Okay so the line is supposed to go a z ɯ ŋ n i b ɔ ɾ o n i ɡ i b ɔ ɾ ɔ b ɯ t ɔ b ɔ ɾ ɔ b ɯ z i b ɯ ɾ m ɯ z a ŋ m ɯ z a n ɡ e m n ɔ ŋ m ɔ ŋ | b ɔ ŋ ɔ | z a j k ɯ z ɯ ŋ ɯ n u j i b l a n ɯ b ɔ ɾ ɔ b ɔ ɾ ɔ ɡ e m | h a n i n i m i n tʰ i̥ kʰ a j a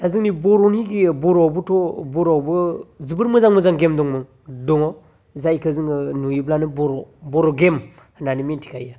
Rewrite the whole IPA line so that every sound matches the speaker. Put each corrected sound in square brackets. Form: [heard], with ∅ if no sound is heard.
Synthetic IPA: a z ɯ ŋ n i b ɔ ɾ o n i ɡ i b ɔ ɾ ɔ b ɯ t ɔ b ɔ ɾ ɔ b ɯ z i b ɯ ɾ m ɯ z a ŋ m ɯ z a [ŋ] ɡ e m [d] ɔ ŋ m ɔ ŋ | [d] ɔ ŋ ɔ | z a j k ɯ z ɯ ŋ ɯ n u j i b l a n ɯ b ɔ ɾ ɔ b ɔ ɾ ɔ ɡ e m | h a n [a] n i m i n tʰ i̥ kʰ a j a